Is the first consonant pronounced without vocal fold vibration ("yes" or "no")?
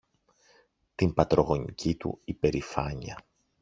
yes